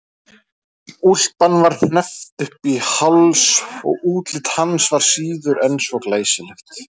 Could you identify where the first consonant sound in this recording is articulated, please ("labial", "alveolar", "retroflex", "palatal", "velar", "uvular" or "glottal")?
alveolar